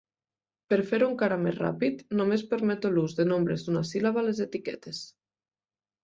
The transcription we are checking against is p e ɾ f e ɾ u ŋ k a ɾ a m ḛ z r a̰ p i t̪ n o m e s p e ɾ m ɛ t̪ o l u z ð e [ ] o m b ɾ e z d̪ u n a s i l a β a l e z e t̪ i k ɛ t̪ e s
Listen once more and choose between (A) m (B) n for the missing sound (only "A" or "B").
B